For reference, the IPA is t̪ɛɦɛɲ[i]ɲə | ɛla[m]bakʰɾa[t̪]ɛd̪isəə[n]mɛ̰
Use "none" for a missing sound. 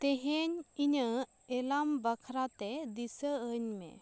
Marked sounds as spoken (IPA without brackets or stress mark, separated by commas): i, m, t̪, ɲ